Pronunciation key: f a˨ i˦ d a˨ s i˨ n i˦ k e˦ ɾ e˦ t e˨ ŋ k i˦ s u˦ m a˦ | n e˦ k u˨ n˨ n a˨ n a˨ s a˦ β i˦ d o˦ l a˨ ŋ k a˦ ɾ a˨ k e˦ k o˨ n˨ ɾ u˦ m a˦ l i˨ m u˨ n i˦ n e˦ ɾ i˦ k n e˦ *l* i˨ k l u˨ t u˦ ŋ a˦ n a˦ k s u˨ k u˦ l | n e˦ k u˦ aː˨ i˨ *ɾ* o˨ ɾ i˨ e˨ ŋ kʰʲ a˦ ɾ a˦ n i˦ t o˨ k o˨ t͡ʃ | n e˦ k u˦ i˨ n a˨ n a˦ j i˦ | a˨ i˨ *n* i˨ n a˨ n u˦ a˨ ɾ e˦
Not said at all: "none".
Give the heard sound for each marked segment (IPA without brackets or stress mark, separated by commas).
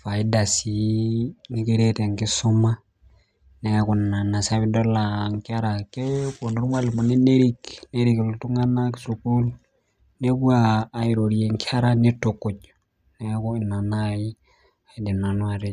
ɾ, ɾ, d